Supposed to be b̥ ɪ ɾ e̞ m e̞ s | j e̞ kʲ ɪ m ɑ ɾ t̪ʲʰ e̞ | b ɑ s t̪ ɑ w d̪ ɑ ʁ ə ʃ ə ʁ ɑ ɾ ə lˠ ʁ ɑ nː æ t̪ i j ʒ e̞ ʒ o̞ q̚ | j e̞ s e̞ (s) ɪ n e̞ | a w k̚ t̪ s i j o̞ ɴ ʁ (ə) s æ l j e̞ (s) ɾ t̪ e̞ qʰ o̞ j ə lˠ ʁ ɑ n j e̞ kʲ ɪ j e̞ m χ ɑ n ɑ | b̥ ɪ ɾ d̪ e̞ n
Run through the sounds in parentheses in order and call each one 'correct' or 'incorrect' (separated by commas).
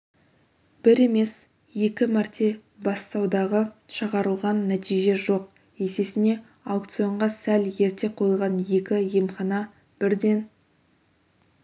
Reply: correct, incorrect, incorrect